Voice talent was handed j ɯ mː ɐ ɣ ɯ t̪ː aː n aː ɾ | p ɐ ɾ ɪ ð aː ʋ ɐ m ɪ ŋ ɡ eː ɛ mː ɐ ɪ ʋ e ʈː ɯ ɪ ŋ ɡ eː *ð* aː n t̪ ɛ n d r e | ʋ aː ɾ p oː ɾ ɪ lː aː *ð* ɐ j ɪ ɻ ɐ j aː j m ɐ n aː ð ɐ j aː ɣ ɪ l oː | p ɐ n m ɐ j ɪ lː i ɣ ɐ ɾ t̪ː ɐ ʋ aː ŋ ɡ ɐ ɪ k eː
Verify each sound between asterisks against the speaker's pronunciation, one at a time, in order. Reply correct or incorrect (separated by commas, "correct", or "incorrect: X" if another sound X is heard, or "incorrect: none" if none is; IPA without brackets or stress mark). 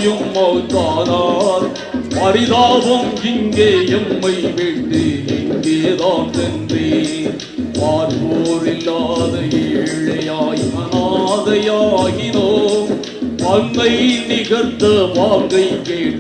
correct, correct